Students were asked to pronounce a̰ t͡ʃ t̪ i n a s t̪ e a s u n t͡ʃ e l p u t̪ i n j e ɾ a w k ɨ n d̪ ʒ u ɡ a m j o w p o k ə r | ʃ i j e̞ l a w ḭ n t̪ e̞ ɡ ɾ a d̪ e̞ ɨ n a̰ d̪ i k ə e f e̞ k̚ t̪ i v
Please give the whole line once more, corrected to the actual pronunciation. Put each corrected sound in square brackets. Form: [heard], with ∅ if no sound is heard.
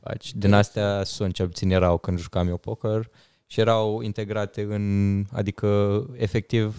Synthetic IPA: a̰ t͡ʃ [d̪] i n a s t̪ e a s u n t͡ʃ e l p u t̪ i n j e ɾ a w k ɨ n d̪ ʒ u [k] a m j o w p o k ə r | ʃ i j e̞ [ɾ] a w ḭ n t̪ e̞ ɡ ɾ a [t̪] e̞ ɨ n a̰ d̪ i k ə e f e̞ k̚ t̪ i v